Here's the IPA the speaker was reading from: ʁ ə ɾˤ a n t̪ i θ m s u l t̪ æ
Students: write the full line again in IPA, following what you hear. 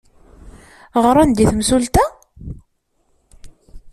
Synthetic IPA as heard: ʁ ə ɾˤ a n d̪ i θ m s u l t̪ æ